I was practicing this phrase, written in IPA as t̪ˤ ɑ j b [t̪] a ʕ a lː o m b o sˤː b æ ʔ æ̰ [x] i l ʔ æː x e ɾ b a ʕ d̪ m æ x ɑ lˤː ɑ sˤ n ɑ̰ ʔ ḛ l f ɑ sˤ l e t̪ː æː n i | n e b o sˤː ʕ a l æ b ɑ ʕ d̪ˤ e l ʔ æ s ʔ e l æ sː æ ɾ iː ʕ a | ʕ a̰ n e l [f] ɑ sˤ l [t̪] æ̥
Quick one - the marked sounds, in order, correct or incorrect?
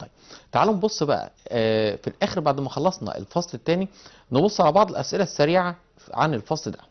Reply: correct, incorrect: f, correct, incorrect: d̪

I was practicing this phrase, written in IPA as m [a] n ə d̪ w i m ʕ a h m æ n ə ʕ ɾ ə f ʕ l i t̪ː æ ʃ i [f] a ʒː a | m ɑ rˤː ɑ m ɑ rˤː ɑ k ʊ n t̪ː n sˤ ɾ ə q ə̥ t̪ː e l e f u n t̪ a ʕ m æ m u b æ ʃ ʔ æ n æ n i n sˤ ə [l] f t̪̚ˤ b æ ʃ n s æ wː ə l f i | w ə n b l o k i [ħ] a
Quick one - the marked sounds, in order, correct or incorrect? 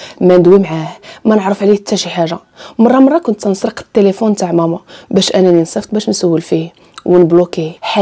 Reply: incorrect: æ, incorrect: ħ, incorrect: none, correct

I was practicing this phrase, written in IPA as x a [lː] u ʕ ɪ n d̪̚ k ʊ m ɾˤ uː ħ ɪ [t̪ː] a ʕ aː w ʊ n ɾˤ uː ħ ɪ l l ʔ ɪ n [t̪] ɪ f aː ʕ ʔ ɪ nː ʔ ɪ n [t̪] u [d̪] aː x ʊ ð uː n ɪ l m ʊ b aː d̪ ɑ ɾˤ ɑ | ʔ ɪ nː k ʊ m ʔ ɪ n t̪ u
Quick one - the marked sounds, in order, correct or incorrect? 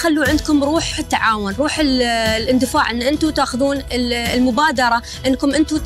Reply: correct, correct, incorrect: d̪, correct, incorrect: t̪

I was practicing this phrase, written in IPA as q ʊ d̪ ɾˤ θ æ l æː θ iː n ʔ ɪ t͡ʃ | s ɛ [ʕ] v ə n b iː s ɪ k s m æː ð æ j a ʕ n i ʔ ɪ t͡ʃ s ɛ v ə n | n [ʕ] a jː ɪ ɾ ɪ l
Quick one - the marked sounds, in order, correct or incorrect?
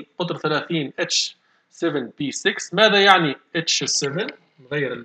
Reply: incorrect: none, incorrect: ɣ

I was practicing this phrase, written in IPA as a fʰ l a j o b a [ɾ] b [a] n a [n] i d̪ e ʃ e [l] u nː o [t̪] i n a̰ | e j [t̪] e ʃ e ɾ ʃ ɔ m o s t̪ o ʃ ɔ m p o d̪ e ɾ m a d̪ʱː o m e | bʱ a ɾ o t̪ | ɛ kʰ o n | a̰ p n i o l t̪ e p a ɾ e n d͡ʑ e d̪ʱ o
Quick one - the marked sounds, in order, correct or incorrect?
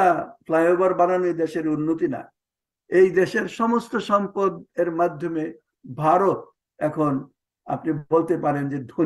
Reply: correct, correct, correct, incorrect: ɾ, correct, incorrect: d̪

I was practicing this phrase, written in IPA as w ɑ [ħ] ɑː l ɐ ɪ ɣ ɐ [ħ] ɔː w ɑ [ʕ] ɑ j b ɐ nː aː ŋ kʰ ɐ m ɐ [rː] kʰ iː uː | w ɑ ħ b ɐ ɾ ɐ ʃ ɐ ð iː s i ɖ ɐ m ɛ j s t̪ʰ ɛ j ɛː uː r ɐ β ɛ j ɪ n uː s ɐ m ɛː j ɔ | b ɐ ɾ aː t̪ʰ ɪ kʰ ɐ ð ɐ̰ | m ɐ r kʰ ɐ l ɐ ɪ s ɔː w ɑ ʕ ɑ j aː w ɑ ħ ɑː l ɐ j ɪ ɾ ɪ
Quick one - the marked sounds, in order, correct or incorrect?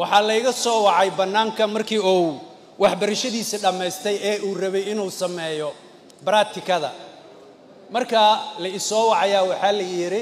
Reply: correct, incorrect: s, correct, incorrect: r

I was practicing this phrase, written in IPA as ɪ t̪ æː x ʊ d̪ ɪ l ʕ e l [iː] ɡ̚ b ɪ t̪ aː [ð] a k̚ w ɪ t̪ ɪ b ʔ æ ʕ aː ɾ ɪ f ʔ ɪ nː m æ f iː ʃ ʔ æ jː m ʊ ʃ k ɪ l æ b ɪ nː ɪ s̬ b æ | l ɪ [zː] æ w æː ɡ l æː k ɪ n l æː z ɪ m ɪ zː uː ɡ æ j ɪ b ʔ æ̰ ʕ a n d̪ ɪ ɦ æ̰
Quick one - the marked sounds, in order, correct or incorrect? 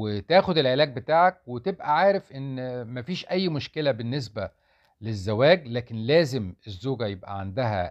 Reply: incorrect: æː, incorrect: ʕ, correct

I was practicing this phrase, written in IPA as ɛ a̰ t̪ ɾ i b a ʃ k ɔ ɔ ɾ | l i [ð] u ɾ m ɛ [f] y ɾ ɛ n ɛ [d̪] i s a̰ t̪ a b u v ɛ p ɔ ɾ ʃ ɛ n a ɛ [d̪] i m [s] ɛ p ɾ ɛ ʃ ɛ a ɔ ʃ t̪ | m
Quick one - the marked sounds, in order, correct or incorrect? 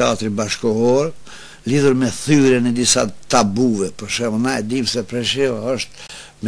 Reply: correct, incorrect: θ, correct, correct, correct

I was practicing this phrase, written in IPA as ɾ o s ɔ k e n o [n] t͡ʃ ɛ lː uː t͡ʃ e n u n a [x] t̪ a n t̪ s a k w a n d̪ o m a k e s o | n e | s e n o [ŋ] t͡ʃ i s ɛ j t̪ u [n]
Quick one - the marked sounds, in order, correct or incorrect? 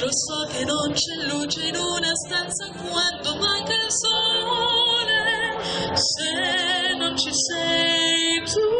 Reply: correct, incorrect: s, incorrect: n, incorrect: none

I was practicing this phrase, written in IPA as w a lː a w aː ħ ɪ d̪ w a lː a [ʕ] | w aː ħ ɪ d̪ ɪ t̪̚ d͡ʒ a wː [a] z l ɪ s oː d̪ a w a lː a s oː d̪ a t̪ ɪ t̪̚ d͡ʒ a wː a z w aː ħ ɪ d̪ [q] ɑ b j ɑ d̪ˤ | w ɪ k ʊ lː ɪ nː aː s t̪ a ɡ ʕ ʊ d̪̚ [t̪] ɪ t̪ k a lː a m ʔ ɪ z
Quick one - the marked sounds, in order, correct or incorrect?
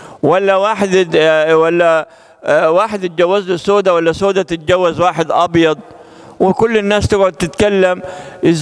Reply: incorrect: none, correct, incorrect: ʔ, correct

